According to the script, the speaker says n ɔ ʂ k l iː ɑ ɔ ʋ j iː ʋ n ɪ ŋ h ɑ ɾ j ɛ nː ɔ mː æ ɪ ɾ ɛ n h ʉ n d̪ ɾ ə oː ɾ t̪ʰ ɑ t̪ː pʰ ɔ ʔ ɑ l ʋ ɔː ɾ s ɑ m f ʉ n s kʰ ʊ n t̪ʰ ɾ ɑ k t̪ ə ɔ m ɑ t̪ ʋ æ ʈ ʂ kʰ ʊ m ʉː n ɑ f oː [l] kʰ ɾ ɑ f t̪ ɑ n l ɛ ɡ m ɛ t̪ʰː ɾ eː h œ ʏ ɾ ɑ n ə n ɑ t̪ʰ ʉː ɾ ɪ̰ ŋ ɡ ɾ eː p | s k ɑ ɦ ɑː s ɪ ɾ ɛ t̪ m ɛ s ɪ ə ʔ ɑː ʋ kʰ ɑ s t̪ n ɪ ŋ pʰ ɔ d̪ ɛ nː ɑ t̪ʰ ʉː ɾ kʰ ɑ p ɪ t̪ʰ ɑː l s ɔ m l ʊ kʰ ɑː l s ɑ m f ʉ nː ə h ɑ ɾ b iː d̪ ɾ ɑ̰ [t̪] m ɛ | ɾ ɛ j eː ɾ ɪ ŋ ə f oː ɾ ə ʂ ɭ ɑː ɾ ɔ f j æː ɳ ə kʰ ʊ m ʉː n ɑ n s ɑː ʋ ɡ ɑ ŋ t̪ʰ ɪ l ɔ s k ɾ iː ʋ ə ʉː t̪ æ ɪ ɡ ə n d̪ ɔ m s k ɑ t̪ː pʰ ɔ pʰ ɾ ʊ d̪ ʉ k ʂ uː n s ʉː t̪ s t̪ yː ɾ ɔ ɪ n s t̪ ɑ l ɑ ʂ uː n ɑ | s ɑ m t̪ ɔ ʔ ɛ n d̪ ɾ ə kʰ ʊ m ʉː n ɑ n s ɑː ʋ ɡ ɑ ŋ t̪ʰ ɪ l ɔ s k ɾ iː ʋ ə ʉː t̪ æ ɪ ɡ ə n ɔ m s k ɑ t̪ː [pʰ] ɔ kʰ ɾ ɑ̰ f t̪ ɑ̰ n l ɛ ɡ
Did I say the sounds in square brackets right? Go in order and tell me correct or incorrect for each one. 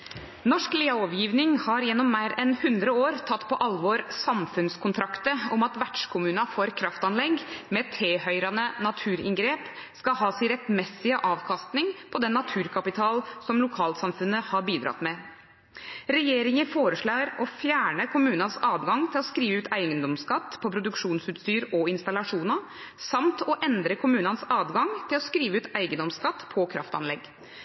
incorrect: ɾ, correct, correct

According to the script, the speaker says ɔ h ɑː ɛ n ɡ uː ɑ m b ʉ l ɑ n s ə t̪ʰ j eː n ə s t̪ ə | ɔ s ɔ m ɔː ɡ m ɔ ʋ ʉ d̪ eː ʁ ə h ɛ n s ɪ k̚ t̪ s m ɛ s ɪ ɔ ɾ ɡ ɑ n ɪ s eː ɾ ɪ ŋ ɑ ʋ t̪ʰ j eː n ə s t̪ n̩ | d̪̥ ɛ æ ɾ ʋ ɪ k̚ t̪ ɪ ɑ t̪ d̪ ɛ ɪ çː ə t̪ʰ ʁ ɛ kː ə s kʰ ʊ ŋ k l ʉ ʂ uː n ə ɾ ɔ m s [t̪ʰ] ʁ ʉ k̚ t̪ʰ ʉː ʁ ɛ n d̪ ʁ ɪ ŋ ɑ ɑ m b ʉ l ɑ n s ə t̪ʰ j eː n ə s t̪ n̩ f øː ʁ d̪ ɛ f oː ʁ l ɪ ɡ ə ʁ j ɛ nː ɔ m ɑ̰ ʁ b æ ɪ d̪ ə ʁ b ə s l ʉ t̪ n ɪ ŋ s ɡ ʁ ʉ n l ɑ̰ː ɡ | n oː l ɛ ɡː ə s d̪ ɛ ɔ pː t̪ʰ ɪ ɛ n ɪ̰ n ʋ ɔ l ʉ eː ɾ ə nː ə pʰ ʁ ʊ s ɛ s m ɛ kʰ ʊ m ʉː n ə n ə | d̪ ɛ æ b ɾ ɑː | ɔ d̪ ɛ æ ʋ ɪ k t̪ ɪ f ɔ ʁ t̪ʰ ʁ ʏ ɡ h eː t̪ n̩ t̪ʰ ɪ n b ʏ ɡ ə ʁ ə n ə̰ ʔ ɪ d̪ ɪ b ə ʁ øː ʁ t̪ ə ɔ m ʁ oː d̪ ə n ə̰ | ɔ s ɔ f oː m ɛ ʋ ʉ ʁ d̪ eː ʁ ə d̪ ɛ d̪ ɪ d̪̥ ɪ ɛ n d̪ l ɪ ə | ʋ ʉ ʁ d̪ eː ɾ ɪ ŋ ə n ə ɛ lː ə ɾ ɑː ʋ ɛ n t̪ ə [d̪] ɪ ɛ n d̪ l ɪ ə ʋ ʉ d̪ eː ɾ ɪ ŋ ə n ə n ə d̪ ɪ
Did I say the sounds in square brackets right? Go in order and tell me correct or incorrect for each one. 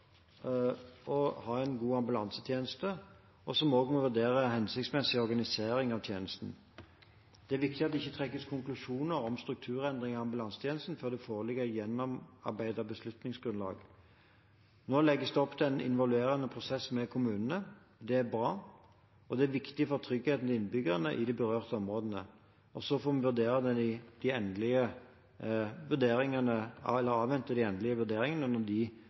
incorrect: t̪, correct

